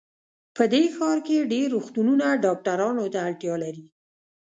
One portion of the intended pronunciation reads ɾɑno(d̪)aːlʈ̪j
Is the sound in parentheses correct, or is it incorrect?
incorrect